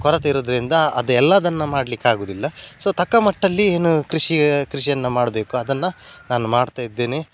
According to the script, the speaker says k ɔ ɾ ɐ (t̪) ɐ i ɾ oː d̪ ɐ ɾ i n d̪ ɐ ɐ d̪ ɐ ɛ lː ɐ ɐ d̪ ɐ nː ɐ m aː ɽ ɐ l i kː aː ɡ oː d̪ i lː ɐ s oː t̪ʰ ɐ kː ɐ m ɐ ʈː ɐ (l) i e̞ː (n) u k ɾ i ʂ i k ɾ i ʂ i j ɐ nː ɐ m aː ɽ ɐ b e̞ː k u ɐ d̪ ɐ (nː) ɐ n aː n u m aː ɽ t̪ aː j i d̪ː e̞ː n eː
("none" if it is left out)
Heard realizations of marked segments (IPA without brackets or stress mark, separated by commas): t̪, lː, n, nː